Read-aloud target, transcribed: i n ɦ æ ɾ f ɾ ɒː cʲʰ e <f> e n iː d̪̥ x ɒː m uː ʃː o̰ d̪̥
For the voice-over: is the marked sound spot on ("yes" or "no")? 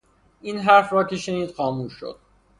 no